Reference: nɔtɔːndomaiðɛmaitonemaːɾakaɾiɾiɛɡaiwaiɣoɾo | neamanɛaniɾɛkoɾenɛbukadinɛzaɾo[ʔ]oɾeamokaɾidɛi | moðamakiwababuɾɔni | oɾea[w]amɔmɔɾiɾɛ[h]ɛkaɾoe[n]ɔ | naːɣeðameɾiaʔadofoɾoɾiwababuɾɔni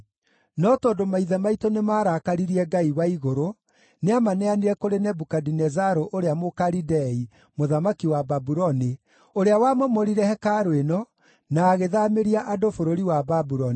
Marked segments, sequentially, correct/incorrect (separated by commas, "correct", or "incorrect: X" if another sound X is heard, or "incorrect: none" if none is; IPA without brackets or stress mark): correct, correct, correct, correct